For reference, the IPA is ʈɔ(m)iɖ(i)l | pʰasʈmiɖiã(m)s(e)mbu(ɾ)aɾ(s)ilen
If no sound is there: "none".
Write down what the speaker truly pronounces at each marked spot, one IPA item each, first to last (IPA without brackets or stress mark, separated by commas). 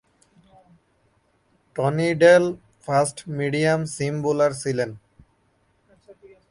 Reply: n, e, m, i, l, s